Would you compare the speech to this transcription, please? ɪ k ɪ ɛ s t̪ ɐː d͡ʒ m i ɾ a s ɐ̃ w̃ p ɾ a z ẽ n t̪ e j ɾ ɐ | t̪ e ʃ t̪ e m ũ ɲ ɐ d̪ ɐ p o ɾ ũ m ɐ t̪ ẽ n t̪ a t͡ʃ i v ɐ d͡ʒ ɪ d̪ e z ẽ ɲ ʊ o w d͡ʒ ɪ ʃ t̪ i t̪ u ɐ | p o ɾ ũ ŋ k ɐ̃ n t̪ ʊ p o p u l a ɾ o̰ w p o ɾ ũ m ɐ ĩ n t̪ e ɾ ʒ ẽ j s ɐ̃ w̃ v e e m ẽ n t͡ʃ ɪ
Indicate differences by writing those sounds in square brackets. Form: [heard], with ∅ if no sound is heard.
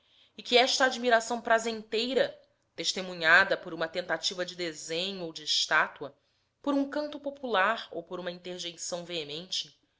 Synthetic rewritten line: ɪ k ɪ ɛ [ʃ] t̪ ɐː d͡ʒ m i ɾ a s ɐ̃ w̃ p ɾ a z ẽ n t̪ e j ɾ ɐ | t̪ e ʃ t̪ e m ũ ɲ [a] d̪ ɐ p o ɾ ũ m ɐ t̪ ẽ n t̪ a t͡ʃ i v ɐ d͡ʒ ɪ d̪ e z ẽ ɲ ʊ o w d͡ʒ ɪ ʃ t̪ [a] t̪ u ɐ | p o ɾ ũ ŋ k ɐ̃ n t̪ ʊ p o p u l a ɾ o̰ w p o ɾ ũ m ɐ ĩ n t̪ e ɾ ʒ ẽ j s ɐ̃ w̃ v e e m ẽ n t͡ʃ ɪ